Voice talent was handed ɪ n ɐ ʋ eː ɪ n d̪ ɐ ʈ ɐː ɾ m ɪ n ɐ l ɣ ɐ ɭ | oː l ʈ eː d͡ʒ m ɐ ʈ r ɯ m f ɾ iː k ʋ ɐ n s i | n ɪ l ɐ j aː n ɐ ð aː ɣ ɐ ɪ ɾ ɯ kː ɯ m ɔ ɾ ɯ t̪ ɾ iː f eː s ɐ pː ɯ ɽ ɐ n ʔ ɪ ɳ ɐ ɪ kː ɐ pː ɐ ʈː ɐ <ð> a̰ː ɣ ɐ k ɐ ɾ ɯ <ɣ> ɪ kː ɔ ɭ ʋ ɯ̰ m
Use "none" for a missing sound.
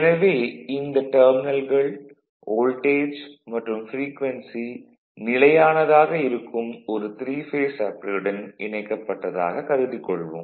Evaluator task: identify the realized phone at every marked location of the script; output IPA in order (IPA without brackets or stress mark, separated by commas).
ð, ð